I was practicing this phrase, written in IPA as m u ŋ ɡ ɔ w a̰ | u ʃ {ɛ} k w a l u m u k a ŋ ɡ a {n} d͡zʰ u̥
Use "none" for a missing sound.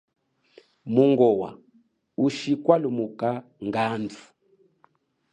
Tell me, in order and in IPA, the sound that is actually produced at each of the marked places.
i, n

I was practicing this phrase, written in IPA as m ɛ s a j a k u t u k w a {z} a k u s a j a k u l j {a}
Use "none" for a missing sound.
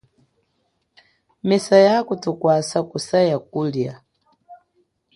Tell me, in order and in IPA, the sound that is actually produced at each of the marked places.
s, a

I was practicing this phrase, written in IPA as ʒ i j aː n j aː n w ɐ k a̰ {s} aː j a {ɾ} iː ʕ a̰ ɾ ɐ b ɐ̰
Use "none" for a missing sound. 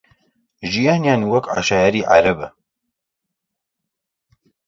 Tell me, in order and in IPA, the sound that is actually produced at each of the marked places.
ʃ, ɾ

